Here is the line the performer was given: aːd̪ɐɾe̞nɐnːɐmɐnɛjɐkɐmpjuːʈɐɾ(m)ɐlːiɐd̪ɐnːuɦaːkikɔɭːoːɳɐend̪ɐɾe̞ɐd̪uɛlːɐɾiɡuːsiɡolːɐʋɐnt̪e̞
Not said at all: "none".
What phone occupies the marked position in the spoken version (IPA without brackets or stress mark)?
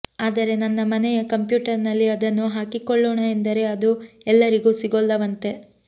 n